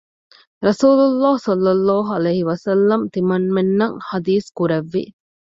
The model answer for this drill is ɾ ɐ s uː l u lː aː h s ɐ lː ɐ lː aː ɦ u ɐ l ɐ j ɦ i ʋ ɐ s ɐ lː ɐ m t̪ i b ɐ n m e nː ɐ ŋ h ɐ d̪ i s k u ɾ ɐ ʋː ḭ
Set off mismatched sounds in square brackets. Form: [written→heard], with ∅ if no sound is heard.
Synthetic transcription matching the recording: ɾ ɐ s uː l u lː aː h s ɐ lː ɐ lː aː ɦ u ɐ l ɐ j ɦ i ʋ ɐ s ɐ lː ɐ m t̪ i [b→m] ɐ n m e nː ɐ ŋ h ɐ d̪ [i→iː] s k u ɾ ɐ ʋː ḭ